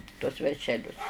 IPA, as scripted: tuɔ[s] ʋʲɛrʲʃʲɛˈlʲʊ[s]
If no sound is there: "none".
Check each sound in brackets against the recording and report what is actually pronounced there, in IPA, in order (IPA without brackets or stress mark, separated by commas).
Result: s, s